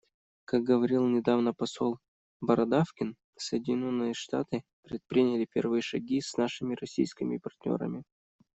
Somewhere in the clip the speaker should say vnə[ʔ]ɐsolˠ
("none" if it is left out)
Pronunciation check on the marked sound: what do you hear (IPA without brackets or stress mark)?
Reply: p